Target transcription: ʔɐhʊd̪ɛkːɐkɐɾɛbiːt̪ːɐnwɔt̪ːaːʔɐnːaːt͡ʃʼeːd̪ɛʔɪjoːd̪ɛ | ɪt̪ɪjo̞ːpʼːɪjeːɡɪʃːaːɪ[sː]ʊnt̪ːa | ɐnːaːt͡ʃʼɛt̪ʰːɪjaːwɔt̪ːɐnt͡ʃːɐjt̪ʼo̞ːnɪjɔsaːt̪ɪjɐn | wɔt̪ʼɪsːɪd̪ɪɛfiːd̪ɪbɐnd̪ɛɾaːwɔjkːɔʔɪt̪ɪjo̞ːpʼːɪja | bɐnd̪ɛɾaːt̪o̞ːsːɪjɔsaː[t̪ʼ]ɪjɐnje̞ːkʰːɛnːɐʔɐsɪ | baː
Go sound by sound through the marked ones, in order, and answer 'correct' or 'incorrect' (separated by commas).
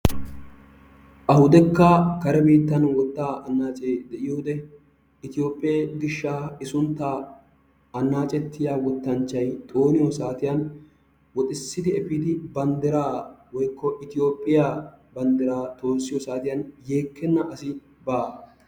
incorrect, incorrect